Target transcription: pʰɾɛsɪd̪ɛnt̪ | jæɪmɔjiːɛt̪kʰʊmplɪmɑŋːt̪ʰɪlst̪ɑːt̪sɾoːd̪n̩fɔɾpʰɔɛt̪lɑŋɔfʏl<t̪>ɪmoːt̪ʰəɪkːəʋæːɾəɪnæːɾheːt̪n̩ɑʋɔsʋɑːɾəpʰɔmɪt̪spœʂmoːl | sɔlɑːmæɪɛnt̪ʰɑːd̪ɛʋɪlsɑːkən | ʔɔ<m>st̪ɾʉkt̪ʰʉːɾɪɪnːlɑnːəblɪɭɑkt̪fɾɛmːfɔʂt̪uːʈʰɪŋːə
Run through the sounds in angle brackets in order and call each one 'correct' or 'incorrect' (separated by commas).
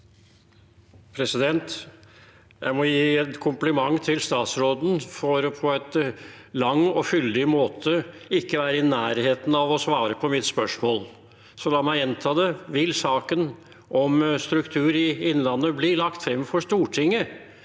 incorrect, correct